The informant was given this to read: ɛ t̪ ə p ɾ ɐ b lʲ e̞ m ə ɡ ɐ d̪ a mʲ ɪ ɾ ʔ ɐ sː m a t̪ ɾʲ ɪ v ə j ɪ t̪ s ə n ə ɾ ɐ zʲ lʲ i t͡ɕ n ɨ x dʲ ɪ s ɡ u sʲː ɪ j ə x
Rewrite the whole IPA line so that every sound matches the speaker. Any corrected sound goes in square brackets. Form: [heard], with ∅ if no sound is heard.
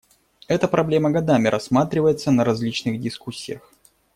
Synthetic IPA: ɛ t̪ ə p ɾ ɐ b lʲ e̞ m ə ɡ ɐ d̪ a mʲ ɪ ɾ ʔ ɐ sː m a t̪ ɾʲ ɪ v ə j ɪ t̪ s ə n ə ɾ ɐ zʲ lʲ i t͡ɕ n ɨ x dʲ ɪ s [k] u sʲː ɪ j ə x